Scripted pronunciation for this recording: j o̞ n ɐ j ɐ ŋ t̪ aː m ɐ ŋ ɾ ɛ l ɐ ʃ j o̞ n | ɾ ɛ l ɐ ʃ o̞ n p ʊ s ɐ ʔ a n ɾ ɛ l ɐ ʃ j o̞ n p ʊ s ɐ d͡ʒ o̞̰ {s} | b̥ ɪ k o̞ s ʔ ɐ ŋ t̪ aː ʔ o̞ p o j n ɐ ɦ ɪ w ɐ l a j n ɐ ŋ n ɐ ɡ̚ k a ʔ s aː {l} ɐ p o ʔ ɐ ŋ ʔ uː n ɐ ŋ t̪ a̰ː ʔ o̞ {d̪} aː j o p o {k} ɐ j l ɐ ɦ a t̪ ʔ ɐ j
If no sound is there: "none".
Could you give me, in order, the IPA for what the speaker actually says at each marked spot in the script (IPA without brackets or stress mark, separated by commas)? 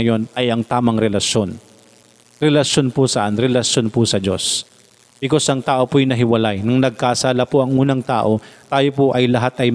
s, l, t̪, ʔ